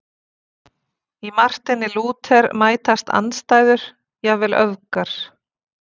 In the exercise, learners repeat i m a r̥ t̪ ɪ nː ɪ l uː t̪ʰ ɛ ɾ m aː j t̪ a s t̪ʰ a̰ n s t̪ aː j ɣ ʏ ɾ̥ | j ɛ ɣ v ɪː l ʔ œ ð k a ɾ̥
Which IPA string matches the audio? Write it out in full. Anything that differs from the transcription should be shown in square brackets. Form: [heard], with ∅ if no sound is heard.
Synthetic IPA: i m a r̥ t̪ ɪ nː ɪ l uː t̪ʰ ɛ ɾ m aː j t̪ a s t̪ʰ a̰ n s t̪ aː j [ð] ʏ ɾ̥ | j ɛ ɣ v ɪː l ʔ œ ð k a ɾ̥